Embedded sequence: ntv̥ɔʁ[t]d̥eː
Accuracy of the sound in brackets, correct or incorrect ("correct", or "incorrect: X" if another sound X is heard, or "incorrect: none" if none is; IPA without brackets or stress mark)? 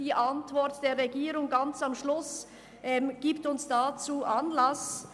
correct